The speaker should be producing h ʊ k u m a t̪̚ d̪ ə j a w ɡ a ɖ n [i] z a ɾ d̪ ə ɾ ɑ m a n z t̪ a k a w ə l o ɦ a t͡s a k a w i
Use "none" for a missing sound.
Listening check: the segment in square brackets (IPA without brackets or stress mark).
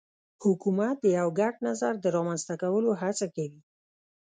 a